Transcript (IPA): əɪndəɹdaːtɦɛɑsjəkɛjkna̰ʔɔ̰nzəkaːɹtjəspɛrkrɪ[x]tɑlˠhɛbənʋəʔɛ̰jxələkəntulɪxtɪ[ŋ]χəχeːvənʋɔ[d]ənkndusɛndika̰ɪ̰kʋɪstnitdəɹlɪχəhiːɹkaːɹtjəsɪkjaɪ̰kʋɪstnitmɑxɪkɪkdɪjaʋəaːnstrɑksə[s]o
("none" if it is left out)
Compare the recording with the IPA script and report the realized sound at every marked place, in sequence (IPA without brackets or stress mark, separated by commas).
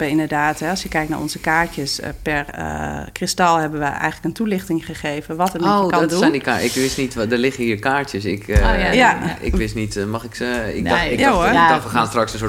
s, ŋ, t, s